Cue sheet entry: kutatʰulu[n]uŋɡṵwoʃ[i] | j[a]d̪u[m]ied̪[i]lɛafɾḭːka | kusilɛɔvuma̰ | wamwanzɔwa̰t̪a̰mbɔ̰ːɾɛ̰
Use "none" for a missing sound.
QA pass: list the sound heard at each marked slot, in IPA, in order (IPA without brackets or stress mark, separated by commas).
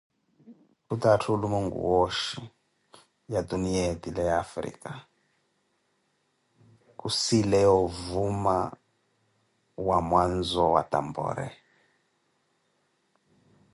m, i, a, n, i